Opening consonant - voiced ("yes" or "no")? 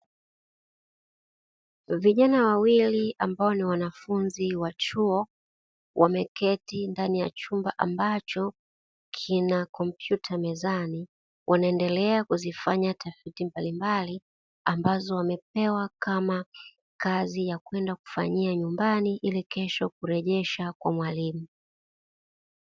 yes